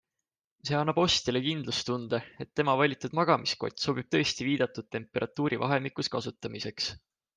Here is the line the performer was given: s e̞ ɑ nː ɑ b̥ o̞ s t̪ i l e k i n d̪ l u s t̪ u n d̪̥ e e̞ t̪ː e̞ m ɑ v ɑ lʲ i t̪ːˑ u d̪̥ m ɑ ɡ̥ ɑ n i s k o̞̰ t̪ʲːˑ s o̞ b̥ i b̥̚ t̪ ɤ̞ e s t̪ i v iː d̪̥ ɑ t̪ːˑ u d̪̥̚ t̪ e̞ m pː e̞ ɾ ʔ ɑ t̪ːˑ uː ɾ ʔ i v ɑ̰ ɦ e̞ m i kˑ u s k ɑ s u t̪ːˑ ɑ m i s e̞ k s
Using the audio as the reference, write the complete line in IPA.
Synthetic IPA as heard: s e̞ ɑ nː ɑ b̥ o̞ s t̪ i l e k i n d̪ l u s t̪ u n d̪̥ e e̞ t̪ː e̞ m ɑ v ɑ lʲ i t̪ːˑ u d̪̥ m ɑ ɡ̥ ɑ m i s k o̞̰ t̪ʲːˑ s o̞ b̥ i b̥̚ t̪ ɤ̞ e s t̪ i v iː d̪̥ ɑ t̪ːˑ u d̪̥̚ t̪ e̞ m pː e̞ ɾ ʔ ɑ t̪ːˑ uː ɾ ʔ i v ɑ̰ ɦ e̞ m i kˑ u s k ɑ s u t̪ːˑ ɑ m i s e̞ k s

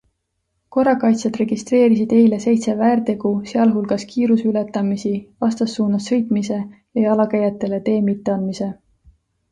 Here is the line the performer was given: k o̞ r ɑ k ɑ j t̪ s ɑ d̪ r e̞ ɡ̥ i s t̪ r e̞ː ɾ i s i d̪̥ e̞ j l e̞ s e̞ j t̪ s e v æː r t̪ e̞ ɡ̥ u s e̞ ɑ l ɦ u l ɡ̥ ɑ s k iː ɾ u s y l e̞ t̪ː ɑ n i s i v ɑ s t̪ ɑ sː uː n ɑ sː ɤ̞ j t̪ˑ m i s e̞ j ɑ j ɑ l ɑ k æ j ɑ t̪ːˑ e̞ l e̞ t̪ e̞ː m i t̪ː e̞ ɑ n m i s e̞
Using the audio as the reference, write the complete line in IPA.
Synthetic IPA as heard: k o̞ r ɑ k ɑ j t̪ s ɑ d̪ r e̞ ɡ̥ i s t̪ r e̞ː ɾ i s i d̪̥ e̞ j l e̞ s e̞ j t̪ s e v æː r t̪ e̞ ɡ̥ u s e̞ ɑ l ɦ u l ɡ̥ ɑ s k iː ɾ u s y l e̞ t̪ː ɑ m i s i v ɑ s t̪ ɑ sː uː n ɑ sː ɤ̞ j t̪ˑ m i s e̞ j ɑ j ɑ l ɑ k æ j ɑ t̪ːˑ e̞ l e̞ t̪ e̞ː m i t̪ː e̞ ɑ n m i s e̞

